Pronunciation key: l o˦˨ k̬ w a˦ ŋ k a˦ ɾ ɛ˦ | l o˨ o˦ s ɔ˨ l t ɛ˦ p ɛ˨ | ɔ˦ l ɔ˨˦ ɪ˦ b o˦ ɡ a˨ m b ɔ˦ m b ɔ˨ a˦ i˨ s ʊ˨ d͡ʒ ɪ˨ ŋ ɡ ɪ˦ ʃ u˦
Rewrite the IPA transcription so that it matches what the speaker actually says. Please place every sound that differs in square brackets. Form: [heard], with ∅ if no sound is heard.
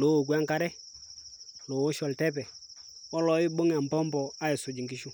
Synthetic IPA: l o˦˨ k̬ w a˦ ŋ k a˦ ɾ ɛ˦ | l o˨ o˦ [ʃ] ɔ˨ l t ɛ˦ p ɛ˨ | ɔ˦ l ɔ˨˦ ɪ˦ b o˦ [ŋ] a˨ m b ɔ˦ m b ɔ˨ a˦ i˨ s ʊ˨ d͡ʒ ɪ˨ ŋ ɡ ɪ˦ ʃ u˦